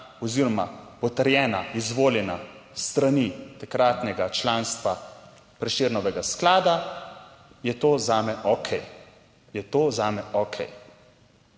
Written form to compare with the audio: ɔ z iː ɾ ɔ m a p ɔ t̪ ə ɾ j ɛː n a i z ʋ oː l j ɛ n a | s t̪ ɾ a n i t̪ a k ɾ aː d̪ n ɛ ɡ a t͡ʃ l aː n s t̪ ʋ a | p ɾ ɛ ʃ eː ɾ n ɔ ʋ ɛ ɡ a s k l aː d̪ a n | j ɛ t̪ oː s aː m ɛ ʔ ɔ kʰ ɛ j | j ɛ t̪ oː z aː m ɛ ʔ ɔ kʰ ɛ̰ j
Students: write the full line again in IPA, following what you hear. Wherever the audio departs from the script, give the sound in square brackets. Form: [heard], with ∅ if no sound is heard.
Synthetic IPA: ɔ z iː ɾ ɔ m a p ɔ t̪ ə ɾ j ɛː n a i z ʋ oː l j ɛ n a | s t̪ ɾ a n i t̪ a k ɾ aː [t̪] n ɛ ɡ a t͡ʃ l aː n s t̪ ʋ a | p ɾ ɛ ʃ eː ɾ n ɔ ʋ ɛ ɡ a s k l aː d̪ a [∅] | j ɛ t̪ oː [z] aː m ɛ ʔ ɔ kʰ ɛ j | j ɛ t̪ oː z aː m ɛ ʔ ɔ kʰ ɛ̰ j